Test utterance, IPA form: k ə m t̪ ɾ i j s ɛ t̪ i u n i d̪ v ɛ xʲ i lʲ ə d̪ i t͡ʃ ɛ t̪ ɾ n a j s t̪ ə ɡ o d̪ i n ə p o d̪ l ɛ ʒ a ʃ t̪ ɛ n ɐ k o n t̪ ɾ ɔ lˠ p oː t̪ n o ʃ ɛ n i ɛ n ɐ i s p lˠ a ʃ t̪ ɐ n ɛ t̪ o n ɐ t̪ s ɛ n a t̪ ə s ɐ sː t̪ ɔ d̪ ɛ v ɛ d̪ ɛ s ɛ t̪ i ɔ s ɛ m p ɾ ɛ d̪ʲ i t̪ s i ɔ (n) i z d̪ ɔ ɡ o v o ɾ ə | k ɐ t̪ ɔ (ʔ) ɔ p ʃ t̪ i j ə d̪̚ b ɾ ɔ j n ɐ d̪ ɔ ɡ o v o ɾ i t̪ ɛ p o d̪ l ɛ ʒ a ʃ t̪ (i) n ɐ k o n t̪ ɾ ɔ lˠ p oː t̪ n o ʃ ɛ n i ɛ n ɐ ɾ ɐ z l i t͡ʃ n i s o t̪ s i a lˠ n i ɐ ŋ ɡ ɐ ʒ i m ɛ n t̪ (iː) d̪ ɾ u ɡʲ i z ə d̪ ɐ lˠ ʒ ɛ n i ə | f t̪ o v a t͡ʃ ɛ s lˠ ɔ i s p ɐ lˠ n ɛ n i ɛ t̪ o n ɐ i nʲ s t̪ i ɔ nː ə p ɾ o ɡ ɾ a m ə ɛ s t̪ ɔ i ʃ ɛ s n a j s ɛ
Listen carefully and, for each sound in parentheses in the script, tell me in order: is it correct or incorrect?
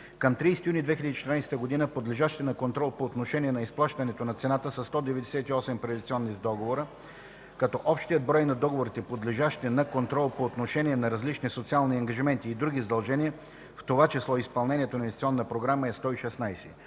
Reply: incorrect, correct, incorrect, correct

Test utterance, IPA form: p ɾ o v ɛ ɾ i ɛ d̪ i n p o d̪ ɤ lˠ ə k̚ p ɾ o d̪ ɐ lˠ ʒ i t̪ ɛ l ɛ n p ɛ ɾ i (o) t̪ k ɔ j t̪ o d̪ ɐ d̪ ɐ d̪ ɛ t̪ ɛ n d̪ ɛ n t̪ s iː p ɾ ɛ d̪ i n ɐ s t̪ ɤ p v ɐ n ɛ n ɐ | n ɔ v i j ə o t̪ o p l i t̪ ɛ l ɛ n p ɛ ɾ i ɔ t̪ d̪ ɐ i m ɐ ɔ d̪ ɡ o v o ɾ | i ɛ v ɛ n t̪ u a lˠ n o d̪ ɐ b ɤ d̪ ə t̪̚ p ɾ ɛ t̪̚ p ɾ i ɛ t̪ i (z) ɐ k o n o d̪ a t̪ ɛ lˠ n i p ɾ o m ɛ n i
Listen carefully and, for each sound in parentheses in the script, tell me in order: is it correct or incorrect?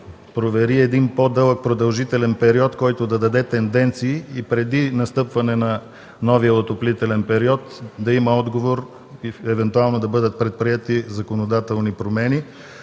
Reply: incorrect, correct

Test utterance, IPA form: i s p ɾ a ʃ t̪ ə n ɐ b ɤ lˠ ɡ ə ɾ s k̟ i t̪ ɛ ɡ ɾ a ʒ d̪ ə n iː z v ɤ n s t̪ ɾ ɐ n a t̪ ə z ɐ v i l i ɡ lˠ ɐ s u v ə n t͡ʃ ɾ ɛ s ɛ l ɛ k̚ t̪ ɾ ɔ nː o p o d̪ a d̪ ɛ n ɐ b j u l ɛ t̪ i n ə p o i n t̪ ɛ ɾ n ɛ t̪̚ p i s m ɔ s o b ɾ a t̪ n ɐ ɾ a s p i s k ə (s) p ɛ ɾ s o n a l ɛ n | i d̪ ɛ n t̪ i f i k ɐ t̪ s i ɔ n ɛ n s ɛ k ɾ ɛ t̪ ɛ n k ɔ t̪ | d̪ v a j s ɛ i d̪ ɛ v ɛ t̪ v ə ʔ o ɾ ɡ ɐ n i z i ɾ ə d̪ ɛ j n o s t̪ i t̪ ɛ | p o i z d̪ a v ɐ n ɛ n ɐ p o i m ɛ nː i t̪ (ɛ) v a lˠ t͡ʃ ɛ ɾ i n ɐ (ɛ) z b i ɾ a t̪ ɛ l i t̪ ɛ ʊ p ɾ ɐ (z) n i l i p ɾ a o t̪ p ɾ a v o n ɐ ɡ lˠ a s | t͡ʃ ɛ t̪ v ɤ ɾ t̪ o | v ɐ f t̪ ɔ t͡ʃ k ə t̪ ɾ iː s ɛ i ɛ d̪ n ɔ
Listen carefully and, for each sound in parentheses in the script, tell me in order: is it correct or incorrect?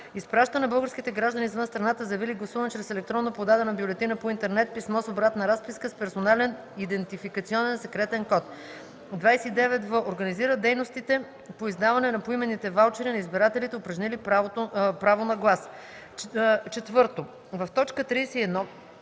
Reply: correct, correct, incorrect, incorrect

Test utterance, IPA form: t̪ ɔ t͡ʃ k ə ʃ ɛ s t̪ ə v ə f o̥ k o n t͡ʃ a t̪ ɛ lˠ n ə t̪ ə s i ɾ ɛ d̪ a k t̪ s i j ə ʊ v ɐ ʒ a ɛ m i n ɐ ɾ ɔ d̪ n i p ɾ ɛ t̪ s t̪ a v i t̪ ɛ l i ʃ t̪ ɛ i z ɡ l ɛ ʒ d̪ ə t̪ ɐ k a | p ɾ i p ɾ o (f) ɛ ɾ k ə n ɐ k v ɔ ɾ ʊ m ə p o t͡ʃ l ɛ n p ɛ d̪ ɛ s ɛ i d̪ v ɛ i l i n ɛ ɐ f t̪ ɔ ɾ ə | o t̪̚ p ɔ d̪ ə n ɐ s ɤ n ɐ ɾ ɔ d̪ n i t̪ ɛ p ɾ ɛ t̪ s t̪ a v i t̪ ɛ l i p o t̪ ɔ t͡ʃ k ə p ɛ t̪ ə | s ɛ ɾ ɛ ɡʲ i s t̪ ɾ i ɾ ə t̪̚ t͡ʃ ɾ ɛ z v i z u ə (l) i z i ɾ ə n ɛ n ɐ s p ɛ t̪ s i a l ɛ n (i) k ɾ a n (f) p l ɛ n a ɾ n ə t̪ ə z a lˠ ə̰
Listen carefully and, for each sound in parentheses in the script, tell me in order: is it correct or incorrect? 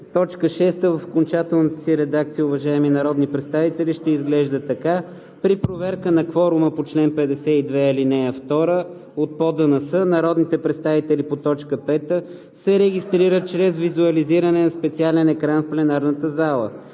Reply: incorrect, correct, incorrect, correct

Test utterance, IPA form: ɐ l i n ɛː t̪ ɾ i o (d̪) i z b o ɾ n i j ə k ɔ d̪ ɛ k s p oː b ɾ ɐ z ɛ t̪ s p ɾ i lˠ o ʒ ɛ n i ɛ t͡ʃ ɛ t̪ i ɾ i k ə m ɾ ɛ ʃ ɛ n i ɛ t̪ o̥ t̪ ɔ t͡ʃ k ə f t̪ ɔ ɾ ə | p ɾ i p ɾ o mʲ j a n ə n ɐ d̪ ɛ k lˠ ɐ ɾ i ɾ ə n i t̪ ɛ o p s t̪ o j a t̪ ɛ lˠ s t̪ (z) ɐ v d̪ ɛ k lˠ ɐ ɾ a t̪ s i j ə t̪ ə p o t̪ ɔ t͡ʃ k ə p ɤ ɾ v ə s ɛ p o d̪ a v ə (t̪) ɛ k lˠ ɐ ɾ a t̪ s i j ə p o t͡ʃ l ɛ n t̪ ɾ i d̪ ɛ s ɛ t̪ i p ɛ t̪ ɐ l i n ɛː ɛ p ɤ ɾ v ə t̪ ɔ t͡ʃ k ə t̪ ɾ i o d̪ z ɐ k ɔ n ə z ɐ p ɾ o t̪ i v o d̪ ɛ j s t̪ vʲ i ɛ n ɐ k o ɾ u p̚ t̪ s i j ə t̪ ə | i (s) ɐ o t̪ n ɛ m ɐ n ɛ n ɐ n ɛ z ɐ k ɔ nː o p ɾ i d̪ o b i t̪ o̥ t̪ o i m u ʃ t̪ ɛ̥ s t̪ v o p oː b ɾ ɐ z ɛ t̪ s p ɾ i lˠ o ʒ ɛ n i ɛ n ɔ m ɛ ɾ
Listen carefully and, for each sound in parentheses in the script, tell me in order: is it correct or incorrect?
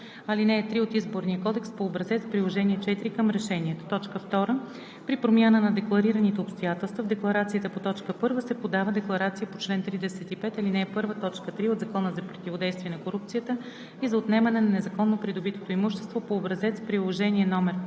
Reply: incorrect, incorrect, incorrect, incorrect

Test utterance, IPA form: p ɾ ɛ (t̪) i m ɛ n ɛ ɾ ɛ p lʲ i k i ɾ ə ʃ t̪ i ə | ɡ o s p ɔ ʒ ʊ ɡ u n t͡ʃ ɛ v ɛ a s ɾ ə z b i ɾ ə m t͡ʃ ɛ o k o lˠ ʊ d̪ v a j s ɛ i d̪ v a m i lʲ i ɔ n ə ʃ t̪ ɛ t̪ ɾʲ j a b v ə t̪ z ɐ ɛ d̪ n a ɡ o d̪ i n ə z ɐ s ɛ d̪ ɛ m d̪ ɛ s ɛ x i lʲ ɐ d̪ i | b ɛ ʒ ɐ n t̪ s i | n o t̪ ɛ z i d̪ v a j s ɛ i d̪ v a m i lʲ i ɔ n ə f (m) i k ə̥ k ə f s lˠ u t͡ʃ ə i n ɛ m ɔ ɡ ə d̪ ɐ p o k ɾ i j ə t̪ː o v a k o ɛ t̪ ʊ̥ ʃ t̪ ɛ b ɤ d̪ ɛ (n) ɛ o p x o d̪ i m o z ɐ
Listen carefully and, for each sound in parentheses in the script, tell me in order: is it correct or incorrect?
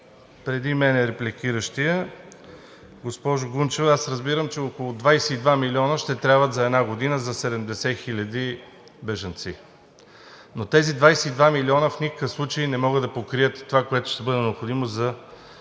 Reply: incorrect, incorrect, correct

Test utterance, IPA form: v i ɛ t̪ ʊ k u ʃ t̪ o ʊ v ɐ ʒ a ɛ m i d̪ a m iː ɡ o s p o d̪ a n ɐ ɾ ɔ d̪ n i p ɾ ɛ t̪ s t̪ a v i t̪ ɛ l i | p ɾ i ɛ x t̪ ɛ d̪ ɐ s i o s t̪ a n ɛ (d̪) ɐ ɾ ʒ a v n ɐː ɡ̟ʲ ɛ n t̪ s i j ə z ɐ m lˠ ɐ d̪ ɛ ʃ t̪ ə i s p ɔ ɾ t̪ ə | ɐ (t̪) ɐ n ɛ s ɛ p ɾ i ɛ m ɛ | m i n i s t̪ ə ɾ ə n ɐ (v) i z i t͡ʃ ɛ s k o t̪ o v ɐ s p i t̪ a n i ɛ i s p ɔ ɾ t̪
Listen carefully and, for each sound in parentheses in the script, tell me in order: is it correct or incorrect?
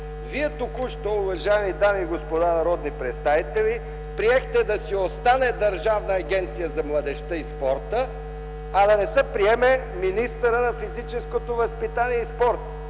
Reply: correct, incorrect, incorrect

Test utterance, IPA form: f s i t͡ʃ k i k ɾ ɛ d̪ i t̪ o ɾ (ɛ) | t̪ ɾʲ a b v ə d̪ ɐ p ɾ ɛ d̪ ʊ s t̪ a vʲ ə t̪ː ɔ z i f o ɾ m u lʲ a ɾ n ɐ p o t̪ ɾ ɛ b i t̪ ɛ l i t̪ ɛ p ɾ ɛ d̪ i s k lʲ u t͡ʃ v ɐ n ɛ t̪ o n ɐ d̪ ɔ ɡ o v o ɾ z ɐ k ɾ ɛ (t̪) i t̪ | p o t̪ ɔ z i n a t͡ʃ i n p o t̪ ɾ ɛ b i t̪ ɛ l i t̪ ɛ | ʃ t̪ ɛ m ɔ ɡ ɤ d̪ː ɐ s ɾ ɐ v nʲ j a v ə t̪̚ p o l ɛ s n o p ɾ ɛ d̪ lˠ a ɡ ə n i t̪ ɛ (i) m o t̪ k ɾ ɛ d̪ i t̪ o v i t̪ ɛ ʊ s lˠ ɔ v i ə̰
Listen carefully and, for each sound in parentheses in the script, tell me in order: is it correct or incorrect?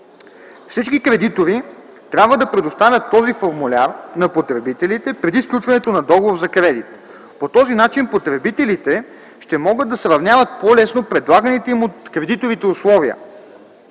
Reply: incorrect, incorrect, correct

